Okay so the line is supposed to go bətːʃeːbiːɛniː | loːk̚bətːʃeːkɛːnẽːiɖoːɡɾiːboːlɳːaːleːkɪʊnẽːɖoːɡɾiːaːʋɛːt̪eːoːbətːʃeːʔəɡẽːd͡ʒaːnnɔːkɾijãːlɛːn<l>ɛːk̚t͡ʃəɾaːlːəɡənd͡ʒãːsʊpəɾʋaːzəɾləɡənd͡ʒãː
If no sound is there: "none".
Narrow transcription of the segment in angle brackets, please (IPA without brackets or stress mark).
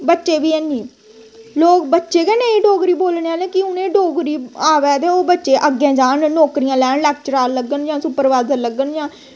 l